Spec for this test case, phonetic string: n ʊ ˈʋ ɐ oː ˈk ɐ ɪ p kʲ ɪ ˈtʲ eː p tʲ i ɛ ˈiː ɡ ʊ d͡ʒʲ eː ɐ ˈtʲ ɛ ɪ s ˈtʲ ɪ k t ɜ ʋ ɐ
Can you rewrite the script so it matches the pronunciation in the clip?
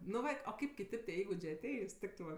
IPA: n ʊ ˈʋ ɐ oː ˈk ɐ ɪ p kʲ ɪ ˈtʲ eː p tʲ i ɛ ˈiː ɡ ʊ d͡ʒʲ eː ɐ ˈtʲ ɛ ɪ s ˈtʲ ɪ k t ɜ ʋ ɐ